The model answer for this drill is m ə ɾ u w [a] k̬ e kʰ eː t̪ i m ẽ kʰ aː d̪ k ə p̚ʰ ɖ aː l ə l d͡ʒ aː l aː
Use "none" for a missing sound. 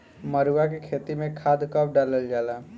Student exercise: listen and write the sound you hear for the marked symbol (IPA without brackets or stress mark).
a